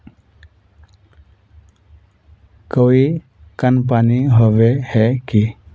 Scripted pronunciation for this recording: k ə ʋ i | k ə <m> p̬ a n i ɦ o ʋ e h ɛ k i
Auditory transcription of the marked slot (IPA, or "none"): n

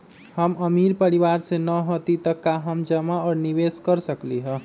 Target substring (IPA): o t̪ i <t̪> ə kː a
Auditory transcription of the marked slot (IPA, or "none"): t̪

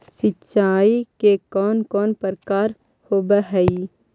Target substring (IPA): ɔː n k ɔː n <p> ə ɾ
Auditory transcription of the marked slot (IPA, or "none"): p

